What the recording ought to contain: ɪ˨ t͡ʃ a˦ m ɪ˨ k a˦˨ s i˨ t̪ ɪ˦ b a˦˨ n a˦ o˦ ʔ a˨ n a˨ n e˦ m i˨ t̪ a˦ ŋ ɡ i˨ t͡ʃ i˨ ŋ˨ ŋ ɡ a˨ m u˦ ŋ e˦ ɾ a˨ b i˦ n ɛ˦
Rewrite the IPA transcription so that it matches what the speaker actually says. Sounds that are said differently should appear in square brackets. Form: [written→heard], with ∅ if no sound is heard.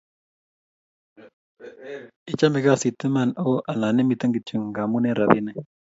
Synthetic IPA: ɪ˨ t͡ʃ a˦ m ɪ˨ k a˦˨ s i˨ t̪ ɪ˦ [b→m] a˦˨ n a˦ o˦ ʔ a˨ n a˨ n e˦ m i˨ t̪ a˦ ŋ ɡ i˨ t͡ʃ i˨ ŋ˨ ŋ ɡ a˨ m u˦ [ŋ→n] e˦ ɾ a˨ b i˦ n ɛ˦